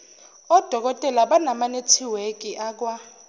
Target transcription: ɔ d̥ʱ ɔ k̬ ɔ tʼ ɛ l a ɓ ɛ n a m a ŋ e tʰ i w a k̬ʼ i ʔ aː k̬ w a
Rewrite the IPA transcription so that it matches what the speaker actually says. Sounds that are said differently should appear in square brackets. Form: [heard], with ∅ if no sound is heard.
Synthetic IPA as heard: ɔ d̥ʱ ɔ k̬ ɔ tʼ ɛ l a ɓ [a] n a m a [n] e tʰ i w [e] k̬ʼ i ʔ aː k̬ w a